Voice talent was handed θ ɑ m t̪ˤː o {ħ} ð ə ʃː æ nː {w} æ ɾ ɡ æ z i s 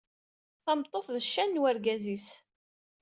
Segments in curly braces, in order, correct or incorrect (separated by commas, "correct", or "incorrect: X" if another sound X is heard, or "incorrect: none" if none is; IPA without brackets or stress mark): incorrect: θ, correct